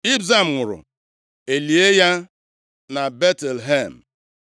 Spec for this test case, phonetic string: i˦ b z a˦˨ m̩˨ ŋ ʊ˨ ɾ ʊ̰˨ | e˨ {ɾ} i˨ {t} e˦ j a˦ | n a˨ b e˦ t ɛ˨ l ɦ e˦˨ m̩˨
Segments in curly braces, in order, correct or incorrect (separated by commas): incorrect, incorrect